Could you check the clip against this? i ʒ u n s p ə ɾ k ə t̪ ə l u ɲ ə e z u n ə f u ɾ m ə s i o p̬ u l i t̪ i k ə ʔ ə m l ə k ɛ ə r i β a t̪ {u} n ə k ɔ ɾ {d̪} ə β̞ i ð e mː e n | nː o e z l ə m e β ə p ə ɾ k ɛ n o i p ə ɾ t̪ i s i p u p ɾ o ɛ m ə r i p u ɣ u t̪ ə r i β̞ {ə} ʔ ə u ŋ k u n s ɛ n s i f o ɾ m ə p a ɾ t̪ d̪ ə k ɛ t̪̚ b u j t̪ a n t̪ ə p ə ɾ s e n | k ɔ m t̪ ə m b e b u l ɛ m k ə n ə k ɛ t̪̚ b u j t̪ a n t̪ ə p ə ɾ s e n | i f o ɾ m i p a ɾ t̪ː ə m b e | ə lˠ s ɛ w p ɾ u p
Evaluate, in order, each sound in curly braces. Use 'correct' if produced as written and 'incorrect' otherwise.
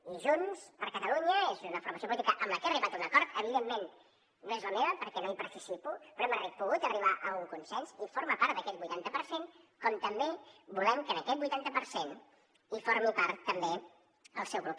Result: correct, incorrect, incorrect

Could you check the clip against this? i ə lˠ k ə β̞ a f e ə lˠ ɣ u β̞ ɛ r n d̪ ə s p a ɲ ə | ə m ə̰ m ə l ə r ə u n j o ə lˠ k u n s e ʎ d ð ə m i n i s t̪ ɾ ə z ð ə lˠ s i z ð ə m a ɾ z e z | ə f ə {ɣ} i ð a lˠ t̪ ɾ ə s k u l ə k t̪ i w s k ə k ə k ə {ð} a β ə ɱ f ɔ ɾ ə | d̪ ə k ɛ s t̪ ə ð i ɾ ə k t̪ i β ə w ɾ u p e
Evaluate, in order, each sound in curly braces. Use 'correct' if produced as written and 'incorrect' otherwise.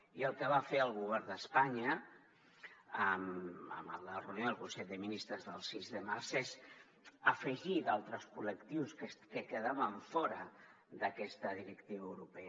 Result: incorrect, correct

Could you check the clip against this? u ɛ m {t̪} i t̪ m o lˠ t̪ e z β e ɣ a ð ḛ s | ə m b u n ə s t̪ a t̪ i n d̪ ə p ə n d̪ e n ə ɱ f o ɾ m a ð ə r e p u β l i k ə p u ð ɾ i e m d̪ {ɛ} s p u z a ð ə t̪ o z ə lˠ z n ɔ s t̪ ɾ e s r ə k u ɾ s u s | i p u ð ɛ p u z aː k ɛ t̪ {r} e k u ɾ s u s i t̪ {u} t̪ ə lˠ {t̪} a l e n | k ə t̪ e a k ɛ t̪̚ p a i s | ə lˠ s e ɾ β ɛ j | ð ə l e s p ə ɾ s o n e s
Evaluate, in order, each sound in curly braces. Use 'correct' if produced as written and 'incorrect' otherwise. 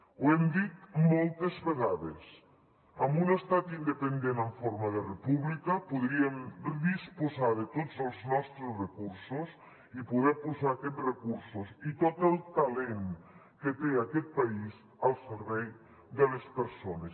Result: incorrect, incorrect, correct, incorrect, correct

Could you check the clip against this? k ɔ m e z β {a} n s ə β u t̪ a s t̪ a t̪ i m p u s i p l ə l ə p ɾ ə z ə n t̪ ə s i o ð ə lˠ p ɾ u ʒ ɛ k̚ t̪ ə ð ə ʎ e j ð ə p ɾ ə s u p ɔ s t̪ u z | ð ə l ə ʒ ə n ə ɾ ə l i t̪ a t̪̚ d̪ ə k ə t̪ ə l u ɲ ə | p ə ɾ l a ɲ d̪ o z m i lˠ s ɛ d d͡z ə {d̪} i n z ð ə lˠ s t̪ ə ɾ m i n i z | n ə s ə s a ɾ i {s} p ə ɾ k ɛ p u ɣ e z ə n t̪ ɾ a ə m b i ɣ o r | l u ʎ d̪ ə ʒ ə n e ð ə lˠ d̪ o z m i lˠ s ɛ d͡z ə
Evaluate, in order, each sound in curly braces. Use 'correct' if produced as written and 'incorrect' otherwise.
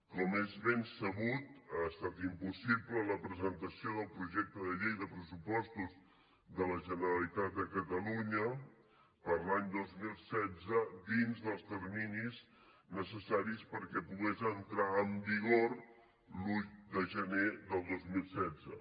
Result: incorrect, correct, correct

